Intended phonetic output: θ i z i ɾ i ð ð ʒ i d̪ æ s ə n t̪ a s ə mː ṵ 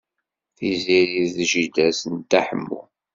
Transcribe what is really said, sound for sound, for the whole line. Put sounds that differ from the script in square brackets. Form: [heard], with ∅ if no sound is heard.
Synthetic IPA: θ i z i ɾ i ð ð ʒ i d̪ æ s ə n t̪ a [ħ] ə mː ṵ